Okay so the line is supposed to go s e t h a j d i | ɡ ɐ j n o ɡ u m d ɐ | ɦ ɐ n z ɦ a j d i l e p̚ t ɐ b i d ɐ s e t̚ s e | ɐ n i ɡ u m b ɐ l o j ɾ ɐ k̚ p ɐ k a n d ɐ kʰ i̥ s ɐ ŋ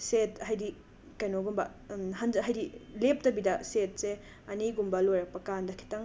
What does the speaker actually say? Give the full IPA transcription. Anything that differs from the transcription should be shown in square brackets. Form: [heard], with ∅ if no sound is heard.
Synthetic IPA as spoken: s e t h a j d i | [k] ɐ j n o ɡ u m [b] ɐ | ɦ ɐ n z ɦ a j d i l e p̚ t ɐ b i d ɐ s e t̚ s e | ɐ n i ɡ u m b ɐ l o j ɾ ɐ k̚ p ɐ k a n d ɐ kʰ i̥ [t] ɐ ŋ